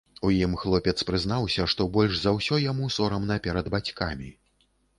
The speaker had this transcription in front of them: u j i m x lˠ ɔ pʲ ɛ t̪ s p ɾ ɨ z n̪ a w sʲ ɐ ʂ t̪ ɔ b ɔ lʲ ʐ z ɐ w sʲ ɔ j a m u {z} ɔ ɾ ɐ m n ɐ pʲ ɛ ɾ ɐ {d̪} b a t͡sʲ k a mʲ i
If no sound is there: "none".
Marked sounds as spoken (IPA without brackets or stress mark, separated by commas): s, d̪